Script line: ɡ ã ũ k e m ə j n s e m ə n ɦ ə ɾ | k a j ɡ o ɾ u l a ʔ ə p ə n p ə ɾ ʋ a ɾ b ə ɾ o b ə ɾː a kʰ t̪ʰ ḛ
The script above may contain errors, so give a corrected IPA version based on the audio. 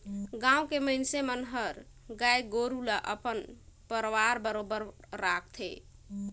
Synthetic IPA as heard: ɡ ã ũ k e m ə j n s e m ə n ɦ ə ɾ | ɡ a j ɡ o ɾ u l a ʔ ə p ə n p ə ɾ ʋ a ɾ b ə ɾ o b ə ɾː a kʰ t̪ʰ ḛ